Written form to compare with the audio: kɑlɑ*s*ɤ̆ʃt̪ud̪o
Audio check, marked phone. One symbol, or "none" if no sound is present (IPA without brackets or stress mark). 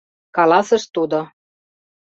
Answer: s